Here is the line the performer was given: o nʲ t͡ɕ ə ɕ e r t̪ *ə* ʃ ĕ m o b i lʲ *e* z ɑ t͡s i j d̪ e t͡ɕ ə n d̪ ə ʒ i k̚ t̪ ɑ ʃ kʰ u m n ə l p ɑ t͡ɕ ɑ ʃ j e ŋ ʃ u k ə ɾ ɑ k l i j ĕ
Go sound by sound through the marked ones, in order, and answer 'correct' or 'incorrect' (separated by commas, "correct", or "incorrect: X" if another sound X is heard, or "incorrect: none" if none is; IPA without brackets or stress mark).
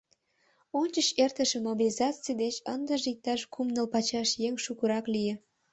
correct, incorrect: i